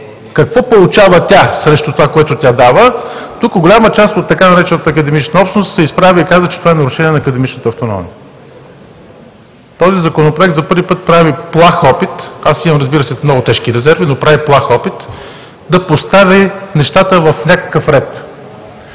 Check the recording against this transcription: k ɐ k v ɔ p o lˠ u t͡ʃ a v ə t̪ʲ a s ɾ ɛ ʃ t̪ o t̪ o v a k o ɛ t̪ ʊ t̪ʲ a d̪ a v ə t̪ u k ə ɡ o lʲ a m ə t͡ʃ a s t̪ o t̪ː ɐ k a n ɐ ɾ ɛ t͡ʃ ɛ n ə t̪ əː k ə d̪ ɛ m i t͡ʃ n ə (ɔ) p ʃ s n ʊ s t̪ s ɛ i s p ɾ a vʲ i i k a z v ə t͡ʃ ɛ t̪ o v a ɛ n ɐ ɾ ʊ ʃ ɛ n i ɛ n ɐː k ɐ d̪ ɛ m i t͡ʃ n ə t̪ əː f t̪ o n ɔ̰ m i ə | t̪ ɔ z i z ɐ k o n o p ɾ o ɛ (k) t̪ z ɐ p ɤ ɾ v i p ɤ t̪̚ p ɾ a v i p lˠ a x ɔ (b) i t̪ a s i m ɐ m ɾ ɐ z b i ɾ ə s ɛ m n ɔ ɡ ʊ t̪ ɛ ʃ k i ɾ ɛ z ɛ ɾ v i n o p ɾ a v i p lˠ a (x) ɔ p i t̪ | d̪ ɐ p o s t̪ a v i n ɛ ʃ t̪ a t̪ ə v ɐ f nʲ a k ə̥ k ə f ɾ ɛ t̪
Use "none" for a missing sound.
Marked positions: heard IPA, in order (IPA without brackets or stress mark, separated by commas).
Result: ɔ, k, p, x